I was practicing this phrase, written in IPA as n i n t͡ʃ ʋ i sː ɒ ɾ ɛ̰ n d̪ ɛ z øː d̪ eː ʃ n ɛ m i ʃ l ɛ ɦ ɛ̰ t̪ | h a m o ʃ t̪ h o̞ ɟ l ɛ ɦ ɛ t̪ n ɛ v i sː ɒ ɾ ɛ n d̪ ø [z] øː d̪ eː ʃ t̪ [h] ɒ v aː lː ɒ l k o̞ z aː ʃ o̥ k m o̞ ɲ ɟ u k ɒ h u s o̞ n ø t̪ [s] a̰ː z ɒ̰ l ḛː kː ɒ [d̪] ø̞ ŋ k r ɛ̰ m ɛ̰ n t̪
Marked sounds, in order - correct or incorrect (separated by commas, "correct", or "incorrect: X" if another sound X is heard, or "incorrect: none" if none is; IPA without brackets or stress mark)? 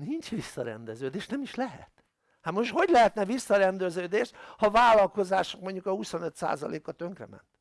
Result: correct, correct, correct, incorrect: t̪